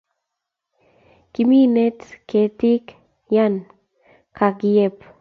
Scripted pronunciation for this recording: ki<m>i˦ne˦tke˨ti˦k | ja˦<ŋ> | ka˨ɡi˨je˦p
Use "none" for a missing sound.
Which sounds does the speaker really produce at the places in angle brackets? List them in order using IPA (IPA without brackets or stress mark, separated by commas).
m, n